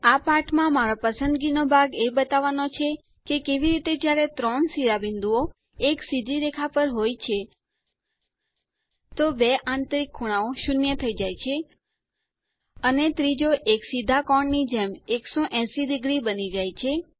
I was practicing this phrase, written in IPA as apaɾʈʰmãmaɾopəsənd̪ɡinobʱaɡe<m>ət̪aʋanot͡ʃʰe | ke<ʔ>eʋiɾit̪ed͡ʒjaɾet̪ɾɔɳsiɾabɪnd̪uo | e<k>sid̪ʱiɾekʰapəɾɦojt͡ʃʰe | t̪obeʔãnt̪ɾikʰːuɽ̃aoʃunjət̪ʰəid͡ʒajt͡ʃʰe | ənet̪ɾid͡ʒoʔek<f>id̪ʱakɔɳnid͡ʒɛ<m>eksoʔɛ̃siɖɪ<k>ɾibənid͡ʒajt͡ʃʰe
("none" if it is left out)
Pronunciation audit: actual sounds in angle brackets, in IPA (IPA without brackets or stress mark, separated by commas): b, k, k, s, m, ɡ